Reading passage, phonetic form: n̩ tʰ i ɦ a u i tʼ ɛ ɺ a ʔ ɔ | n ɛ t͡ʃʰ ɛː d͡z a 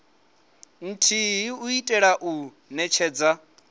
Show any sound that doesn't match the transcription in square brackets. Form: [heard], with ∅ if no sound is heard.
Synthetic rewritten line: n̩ tʰ i ɦ [i] u i tʼ ɛ ɺ a ʔ [u] | n ɛ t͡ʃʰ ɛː d͡z a